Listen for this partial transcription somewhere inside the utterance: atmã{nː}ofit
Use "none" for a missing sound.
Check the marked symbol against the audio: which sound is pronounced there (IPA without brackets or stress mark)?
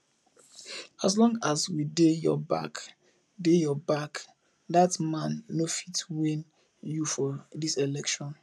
nː